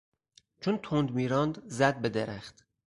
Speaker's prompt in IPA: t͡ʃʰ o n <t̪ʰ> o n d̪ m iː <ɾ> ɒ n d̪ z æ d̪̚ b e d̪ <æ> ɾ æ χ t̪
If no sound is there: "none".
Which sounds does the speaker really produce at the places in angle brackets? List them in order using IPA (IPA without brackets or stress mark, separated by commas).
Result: t̪ʰ, ɾ, e